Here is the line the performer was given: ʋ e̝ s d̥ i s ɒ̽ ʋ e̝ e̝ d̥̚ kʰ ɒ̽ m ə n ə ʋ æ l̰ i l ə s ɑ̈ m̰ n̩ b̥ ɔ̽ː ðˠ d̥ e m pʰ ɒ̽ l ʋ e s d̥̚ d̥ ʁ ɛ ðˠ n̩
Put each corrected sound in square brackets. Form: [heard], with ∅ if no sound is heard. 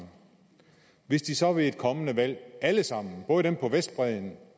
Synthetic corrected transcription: ʋ e̝ s d̥ i s ɒ̽ ʋ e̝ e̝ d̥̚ kʰ ɒ̽ m ə n ə ʋ æ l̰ [æ] l ə s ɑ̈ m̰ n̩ b̥ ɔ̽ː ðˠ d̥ e m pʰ ɒ̽ [∅] ʋ e s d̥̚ [b̥] ʁ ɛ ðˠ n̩